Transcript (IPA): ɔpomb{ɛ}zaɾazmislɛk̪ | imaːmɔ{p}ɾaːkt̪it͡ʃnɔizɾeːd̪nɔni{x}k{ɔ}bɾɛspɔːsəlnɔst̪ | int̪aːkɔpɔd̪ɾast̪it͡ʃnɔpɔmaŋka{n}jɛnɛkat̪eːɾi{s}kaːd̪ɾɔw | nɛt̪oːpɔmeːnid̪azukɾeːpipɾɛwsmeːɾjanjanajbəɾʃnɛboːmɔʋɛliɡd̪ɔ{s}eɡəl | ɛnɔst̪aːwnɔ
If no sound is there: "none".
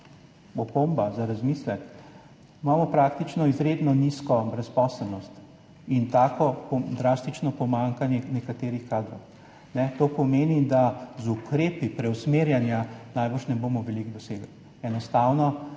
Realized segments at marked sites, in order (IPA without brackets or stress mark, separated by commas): a, p, s, ɔ, n, x, s